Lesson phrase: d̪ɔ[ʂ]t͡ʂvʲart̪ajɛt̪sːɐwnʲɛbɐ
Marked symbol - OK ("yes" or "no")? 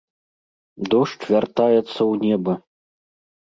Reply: yes